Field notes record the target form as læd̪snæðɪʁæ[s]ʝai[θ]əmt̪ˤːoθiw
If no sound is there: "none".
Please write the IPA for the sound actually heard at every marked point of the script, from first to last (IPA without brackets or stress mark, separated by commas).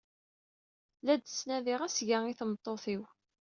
s, θ